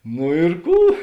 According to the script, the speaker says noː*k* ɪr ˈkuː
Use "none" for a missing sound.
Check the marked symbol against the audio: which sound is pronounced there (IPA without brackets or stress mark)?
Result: none